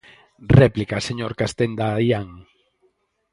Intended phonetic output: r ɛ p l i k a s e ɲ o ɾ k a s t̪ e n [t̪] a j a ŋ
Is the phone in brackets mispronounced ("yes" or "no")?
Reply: yes